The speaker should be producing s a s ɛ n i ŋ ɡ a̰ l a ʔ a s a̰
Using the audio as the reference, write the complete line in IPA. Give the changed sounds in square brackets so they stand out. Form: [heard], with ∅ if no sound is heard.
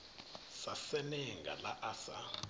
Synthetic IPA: s a s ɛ n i ŋ ɡ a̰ l a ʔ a s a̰